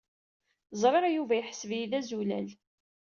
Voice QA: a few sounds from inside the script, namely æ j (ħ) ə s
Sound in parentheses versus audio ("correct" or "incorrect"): correct